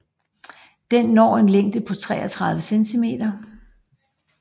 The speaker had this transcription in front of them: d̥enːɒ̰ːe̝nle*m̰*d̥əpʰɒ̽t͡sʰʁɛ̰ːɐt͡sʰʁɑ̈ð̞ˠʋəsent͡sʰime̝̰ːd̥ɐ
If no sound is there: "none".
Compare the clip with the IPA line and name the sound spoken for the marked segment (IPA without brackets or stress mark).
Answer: ŋ̰